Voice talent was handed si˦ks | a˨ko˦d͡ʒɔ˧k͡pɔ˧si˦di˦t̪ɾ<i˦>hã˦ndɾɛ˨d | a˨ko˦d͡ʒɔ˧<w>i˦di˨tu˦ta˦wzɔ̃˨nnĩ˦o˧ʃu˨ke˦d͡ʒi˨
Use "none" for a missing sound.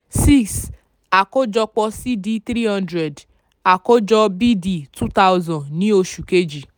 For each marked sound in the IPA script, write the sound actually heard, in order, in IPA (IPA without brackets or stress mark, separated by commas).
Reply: i˦, b